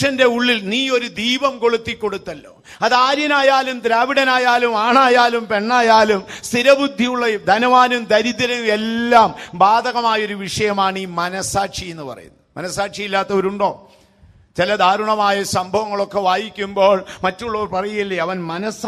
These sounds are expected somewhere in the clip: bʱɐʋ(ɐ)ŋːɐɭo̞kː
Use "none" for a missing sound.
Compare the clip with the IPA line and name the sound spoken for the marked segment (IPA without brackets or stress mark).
ɐ